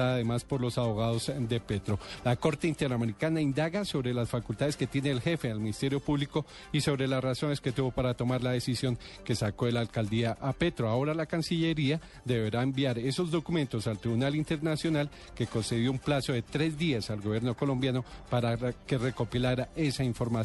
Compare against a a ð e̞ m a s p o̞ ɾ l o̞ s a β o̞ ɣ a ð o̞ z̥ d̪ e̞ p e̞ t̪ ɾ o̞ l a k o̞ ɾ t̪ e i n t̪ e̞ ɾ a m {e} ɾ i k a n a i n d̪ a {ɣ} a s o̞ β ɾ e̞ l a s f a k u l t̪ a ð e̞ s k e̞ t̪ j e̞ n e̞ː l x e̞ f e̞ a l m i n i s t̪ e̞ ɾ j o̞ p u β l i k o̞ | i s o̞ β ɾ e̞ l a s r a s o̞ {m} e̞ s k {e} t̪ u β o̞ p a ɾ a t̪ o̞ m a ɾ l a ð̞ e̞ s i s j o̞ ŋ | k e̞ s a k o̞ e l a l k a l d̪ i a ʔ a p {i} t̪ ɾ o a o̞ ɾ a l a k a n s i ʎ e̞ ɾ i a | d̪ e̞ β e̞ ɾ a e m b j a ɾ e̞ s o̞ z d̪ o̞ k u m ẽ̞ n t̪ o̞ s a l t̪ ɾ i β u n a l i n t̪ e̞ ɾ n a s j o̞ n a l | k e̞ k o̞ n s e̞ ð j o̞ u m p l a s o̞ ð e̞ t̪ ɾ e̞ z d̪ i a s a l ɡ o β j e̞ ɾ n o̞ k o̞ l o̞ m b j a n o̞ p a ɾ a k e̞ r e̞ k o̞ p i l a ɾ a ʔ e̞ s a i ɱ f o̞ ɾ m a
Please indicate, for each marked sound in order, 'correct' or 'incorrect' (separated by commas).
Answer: correct, correct, incorrect, correct, incorrect